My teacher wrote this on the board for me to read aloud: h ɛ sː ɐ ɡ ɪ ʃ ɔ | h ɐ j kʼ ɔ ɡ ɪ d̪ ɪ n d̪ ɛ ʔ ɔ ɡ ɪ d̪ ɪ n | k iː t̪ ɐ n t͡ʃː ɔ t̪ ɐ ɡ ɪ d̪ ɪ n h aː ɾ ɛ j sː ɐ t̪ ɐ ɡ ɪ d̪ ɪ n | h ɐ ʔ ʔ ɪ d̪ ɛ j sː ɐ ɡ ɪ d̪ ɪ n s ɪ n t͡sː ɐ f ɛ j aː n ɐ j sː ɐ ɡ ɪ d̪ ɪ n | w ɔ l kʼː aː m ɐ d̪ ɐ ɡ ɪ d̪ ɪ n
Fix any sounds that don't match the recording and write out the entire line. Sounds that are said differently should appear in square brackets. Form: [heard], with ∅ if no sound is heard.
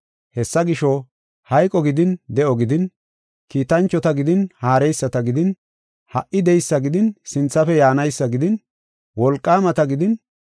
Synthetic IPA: h ɛ sː ɐ ɡ ɪ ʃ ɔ | h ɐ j kʼ ɔ ɡ ɪ d̪ ɪ n d̪ ɛ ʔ ɔ ɡ ɪ d̪ ɪ n | k iː t̪ ɐ n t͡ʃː ɔ t̪ ɐ ɡ ɪ d̪ ɪ n h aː ɾ ɛ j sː ɐ t̪ ɐ ɡ ɪ d̪ ɪ n | h ɐ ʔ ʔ ɪ d̪ ɛ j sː ɐ ɡ ɪ d̪ ɪ n s ɪ n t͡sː ɐ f ɛ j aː n ɐ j sː ɐ ɡ ɪ d̪ ɪ n | w ɔ l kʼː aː m ɐ [t̪] ɐ ɡ ɪ d̪ ɪ n